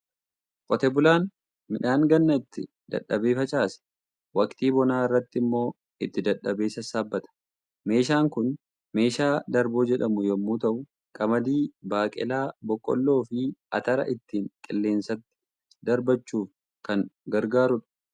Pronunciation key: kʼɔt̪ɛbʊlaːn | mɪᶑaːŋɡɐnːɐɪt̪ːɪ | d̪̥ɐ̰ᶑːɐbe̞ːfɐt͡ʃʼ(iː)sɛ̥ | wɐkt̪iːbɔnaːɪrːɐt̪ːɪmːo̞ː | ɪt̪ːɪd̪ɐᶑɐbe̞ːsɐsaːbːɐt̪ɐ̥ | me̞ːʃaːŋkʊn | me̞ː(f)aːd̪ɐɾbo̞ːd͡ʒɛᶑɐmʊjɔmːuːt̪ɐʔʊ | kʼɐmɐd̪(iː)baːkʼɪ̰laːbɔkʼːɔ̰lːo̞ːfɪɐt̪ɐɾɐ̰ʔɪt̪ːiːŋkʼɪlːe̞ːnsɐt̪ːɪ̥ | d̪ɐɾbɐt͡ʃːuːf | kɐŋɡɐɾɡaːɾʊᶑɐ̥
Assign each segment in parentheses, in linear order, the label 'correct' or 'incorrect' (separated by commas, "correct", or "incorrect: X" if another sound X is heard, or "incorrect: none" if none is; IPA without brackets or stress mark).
incorrect: aː, incorrect: ʃ, correct